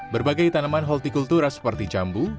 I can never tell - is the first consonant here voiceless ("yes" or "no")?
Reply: no